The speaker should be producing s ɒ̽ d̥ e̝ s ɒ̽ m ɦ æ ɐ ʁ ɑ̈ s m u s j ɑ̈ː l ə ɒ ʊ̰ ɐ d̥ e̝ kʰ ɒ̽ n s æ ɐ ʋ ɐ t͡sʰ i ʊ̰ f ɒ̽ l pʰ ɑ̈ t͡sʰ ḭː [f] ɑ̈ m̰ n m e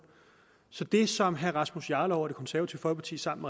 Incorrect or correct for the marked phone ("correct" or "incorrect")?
incorrect